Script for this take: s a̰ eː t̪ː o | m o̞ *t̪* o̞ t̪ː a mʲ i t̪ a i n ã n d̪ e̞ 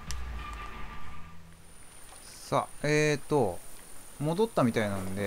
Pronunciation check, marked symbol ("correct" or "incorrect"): incorrect